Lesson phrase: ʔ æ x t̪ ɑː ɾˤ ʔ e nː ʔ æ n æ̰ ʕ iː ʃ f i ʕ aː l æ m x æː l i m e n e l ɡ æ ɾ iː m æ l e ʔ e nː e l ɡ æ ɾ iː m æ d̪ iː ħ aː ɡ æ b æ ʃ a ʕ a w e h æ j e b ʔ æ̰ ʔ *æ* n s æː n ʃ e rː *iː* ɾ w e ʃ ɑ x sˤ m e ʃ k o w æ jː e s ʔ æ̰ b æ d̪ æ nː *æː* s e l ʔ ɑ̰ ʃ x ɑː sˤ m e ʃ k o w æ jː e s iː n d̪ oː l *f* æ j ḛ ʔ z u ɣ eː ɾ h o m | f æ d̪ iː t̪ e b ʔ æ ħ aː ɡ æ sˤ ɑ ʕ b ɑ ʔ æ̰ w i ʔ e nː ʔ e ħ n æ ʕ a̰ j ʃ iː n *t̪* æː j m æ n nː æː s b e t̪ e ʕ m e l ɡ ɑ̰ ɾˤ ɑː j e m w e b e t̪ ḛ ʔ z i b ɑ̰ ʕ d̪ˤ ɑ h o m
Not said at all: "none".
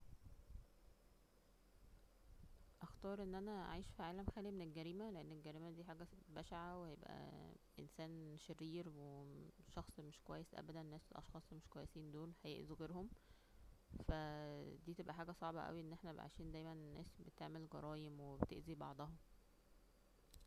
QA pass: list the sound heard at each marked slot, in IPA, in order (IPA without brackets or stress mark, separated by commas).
e, iː, æː, h, d̪